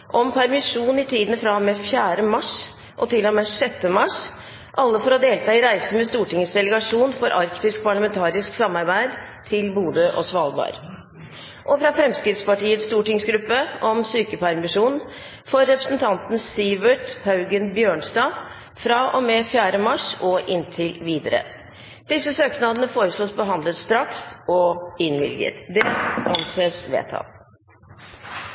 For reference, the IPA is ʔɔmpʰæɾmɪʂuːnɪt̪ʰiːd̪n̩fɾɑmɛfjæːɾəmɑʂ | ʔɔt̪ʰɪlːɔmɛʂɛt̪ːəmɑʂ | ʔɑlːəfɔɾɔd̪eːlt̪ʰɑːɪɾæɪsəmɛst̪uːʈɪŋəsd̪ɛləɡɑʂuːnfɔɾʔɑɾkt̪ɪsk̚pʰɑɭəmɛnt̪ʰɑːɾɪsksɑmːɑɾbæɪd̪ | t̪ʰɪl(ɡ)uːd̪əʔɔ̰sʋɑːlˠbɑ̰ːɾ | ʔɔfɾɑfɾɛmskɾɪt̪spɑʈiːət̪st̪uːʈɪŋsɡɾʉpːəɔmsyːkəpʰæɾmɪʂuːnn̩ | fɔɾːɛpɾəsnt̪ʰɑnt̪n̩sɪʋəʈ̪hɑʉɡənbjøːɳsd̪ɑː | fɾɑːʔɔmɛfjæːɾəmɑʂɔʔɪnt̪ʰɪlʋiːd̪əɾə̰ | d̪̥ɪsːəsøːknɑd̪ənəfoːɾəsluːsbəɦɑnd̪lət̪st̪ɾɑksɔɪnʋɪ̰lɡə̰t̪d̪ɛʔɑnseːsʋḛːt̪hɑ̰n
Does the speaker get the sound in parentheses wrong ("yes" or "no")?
yes